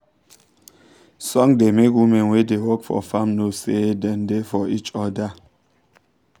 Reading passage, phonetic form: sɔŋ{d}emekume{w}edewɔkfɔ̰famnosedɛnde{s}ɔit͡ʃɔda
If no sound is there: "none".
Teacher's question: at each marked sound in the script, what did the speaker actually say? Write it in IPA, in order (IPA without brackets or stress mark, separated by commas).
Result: d, w, f